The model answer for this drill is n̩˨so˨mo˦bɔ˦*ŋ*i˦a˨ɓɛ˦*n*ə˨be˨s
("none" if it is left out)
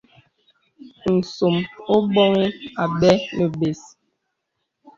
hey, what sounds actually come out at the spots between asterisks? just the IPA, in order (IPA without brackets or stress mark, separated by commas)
ŋ, n